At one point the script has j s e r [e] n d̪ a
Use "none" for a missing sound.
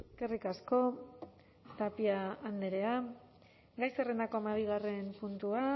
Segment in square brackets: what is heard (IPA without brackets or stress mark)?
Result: e